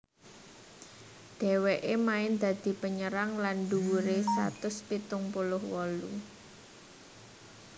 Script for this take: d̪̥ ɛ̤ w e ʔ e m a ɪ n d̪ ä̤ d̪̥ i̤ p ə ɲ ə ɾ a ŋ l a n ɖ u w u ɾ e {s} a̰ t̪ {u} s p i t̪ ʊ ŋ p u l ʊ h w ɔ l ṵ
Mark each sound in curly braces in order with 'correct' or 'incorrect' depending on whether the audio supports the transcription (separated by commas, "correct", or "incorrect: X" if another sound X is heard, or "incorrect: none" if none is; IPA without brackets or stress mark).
correct, incorrect: ʊ